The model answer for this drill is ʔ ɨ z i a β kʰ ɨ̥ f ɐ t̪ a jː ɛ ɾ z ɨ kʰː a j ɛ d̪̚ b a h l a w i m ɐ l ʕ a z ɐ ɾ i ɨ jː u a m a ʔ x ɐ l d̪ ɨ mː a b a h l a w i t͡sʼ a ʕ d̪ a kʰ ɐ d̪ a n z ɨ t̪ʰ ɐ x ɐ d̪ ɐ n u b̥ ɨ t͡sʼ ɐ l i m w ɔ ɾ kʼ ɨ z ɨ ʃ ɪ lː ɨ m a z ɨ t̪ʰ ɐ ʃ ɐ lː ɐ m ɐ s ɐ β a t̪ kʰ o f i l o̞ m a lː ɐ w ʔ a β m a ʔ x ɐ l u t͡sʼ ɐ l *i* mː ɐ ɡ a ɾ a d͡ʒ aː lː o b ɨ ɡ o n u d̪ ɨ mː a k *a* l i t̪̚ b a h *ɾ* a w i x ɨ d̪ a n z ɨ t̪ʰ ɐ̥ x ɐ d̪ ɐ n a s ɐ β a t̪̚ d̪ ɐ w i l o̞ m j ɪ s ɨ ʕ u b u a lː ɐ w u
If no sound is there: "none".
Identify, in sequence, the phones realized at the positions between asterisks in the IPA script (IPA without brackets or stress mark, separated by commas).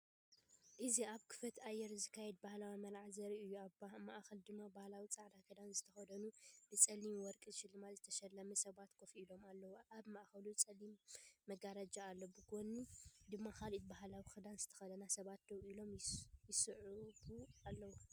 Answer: i, a, l